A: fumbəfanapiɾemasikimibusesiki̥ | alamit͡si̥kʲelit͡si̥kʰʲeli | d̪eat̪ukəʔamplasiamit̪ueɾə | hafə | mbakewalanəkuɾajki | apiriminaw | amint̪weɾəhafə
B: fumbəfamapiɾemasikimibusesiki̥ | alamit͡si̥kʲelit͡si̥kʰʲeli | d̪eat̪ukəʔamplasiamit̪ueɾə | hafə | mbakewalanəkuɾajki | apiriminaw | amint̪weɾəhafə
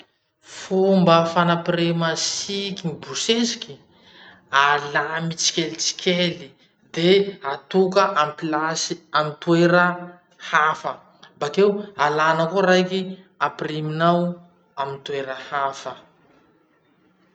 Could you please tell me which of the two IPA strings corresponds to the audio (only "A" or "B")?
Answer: A